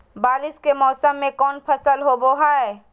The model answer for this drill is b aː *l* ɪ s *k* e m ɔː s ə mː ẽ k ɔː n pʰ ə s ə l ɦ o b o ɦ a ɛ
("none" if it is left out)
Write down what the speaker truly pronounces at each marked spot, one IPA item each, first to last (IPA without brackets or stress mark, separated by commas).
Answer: l, k